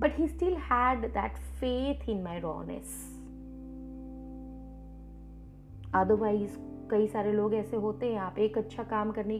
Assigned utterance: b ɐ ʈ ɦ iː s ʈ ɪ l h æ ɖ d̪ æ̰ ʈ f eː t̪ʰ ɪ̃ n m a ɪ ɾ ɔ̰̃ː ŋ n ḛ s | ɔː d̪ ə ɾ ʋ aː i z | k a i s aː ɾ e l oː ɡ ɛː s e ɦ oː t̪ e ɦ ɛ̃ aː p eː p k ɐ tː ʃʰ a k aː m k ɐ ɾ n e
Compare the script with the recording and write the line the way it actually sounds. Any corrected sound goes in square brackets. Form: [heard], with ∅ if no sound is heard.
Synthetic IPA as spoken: b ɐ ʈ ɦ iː s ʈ ɪ l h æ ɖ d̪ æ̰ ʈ f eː t̪ʰ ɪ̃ n m a ɪ ɾ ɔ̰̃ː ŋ n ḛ s | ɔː d̪ ə ɾ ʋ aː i z | k [ɐ] i s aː ɾ e l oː ɡ ɛː s e ɦ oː t̪ e ɦ ɛ̃ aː p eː [∅] k ɐ tː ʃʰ a k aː m k ɐ ɾ n e